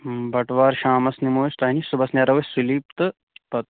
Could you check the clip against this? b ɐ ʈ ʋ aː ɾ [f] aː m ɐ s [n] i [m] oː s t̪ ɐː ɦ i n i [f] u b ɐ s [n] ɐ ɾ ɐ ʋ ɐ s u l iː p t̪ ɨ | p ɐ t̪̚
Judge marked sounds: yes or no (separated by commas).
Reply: no, yes, yes, no, yes